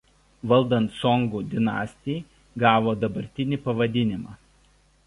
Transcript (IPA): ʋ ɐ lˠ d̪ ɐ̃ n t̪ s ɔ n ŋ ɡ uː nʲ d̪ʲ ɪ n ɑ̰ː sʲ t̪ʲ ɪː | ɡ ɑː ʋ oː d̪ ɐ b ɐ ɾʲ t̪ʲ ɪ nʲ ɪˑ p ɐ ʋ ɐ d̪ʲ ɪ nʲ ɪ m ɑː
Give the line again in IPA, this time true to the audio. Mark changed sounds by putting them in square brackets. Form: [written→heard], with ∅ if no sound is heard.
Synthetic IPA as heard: ʋ ɐ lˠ d̪ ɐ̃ n t̪ s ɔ [n→∅] ŋ ɡ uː [nʲ→∅] d̪ʲ ɪ n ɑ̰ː sʲ t̪ʲ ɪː | ɡ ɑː ʋ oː d̪ ɐ b ɐ ɾʲ t̪ʲ ɪ nʲ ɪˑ p ɐ ʋ ɐ d̪ʲ ɪ nʲ ɪ m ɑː